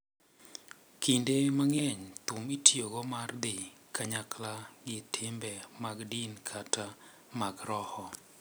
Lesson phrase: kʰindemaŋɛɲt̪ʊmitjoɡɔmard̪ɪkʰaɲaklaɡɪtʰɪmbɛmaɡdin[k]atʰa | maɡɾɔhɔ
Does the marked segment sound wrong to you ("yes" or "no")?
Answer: yes